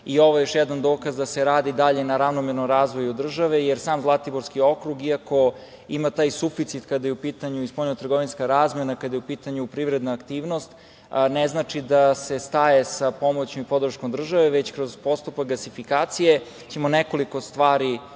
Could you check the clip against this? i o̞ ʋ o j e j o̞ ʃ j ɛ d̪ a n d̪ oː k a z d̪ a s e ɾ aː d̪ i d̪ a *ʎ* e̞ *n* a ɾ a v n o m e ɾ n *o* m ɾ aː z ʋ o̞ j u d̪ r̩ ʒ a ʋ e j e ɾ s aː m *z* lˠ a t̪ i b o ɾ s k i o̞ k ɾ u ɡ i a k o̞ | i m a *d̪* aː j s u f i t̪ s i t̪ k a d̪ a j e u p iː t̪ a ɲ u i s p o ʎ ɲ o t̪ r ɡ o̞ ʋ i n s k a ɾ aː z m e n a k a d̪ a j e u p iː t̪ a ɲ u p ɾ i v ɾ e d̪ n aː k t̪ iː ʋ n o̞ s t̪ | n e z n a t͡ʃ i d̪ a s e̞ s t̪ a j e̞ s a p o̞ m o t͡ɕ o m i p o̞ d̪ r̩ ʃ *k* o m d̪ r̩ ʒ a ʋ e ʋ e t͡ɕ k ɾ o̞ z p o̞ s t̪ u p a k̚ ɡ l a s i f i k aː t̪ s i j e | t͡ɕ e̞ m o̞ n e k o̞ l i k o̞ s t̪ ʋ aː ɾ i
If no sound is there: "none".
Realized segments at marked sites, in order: ʎ, n, o, z, t̪, k

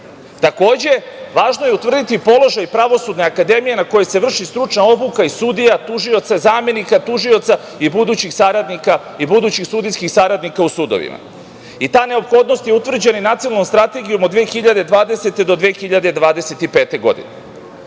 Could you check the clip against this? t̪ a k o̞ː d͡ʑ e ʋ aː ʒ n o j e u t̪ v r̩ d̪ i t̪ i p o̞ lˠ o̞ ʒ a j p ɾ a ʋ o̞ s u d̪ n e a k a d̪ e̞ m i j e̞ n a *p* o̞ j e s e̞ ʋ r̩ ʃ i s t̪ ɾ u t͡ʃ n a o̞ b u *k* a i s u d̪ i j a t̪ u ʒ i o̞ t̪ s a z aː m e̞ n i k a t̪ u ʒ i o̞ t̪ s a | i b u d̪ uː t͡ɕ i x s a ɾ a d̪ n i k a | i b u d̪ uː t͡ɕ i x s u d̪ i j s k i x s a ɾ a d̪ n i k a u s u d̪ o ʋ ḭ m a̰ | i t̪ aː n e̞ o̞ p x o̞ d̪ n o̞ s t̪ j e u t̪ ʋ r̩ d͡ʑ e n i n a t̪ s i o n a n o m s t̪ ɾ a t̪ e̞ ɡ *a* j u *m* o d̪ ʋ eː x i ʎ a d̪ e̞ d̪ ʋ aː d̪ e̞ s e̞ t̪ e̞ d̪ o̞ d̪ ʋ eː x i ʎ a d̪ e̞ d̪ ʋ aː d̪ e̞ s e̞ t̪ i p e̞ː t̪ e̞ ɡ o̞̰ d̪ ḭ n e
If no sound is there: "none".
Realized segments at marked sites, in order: k, k, i, m

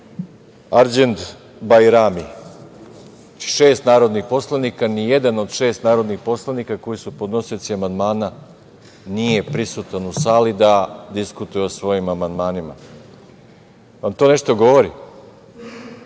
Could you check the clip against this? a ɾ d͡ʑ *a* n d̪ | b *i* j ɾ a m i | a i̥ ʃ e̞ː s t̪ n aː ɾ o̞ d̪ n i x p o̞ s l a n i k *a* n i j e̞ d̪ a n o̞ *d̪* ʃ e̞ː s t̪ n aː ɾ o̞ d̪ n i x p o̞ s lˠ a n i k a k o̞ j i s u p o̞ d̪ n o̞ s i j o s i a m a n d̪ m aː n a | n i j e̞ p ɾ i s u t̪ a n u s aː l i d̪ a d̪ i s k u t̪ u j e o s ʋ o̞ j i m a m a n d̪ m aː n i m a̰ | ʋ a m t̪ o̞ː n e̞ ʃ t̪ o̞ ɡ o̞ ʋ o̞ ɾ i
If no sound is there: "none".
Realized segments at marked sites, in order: e, a, a, d̪

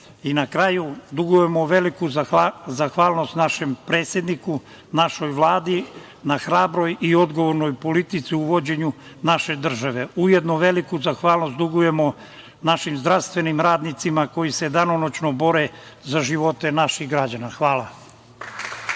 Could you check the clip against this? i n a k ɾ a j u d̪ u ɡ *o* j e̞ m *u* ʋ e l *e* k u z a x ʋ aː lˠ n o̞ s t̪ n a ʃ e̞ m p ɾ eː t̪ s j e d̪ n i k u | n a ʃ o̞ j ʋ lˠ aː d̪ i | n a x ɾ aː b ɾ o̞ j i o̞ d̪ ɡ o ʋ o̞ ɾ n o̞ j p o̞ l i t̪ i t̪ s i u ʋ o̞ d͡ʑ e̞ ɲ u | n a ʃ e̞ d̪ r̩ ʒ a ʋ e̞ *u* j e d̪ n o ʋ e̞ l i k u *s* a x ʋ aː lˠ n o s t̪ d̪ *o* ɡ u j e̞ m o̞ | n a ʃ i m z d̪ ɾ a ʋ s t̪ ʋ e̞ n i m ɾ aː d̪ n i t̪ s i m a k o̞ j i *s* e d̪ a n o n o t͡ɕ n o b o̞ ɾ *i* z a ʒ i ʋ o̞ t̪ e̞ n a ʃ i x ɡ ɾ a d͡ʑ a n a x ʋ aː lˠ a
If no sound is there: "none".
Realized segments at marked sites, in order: u, o, i, u, z, u, s, e

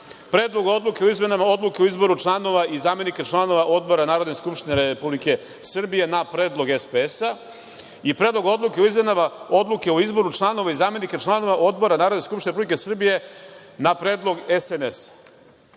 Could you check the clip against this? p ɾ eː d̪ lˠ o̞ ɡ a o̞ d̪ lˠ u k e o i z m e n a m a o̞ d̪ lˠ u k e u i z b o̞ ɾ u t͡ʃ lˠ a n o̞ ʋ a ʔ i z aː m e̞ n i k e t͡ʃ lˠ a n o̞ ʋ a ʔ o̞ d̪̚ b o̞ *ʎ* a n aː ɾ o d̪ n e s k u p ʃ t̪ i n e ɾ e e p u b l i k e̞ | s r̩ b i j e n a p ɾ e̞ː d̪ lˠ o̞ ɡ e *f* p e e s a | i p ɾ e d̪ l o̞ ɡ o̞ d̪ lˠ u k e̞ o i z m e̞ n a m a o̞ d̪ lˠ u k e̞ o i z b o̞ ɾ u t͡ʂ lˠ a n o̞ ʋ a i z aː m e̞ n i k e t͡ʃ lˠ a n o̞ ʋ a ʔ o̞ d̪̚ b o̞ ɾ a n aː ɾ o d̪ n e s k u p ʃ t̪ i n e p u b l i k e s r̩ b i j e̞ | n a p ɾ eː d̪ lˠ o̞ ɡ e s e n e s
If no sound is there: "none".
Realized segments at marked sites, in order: ɾ, s

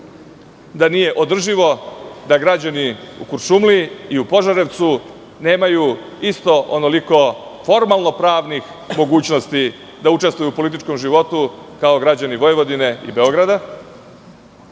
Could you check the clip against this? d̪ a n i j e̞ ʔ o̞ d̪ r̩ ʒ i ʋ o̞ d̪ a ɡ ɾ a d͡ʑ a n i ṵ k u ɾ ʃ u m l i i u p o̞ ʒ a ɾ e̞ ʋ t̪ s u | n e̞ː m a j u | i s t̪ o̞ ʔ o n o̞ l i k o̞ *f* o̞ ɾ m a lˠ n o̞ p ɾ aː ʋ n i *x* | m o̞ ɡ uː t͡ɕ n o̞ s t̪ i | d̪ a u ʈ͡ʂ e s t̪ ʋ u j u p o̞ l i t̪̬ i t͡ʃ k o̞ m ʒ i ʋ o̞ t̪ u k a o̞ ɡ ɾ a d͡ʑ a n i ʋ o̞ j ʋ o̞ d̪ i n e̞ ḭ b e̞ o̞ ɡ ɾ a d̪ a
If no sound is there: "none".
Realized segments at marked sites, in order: f, x

